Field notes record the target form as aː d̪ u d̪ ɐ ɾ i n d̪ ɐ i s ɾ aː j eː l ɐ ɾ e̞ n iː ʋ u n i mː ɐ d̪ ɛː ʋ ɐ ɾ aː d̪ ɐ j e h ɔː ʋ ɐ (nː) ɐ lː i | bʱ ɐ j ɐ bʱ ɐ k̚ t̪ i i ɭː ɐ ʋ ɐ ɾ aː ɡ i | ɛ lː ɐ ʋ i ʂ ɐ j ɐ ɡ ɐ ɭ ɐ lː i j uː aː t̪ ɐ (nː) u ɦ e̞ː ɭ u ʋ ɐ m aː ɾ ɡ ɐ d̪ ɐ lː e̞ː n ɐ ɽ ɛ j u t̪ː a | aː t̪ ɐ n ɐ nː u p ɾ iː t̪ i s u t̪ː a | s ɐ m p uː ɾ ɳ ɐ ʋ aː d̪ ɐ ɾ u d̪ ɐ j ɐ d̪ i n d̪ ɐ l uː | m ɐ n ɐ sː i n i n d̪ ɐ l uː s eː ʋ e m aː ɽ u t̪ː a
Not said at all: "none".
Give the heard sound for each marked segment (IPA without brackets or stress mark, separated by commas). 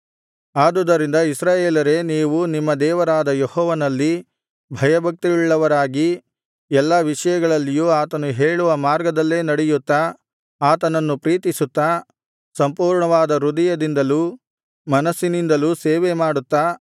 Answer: n, n